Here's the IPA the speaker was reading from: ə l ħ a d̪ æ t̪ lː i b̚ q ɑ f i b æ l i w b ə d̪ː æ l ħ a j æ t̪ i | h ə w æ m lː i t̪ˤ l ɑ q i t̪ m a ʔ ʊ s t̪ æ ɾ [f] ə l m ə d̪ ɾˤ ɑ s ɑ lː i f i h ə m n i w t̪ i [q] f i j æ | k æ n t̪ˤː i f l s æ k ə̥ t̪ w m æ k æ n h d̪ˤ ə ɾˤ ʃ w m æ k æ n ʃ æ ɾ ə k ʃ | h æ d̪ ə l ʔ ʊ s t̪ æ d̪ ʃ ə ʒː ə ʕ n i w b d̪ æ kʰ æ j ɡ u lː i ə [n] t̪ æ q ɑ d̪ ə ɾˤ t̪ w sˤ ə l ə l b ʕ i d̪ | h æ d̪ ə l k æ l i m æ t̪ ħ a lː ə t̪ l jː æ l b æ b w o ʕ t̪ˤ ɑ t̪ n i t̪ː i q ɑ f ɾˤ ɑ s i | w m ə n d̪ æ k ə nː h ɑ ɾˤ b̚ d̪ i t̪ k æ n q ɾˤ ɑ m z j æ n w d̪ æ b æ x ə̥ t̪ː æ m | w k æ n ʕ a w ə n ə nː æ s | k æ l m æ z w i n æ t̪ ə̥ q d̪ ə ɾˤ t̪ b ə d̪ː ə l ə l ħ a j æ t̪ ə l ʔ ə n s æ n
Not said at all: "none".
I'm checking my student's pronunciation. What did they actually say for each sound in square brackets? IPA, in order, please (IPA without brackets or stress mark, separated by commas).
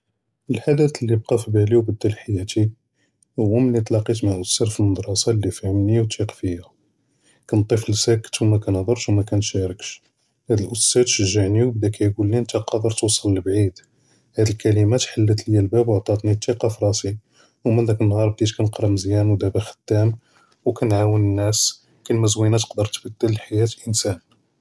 f, q, n